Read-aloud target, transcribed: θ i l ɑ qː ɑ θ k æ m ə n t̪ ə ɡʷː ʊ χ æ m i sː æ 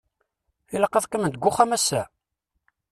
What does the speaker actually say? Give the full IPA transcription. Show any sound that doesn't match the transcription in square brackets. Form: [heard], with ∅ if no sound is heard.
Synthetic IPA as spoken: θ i l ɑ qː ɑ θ k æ m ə n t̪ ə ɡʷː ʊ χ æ m [æ] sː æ